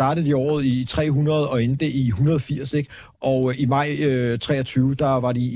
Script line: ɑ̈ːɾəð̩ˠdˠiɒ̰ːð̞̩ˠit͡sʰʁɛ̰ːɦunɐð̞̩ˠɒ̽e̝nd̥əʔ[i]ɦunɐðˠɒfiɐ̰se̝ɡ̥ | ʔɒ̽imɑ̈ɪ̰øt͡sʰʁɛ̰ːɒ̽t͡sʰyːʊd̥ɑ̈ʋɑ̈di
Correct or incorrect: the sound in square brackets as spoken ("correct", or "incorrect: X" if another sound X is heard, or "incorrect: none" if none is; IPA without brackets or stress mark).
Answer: correct